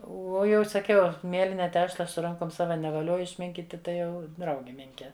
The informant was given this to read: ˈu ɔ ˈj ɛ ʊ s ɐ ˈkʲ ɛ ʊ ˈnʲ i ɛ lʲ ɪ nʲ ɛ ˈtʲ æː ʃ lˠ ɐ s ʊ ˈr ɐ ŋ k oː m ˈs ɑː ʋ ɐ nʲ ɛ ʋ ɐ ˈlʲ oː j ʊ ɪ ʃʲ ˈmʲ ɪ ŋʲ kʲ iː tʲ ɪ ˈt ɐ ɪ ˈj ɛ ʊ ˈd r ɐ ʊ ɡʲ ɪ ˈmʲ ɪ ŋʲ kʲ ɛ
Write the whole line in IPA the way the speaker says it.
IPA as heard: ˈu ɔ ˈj ɛ ʊ s ɐ ˈkʲ ɛ ʊ ˈmʲ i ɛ lʲ ɪ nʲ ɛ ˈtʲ æː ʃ lˠ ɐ s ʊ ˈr ɐ ŋ k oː m ˈs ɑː ʋ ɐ nʲ ɛ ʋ ɐ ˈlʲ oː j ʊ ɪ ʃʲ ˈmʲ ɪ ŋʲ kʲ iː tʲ ɪ ˈt ɐ ɪ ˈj ɛ ʊ ˈd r ɐ ʊ ɡʲ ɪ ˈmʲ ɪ ŋʲ kʲ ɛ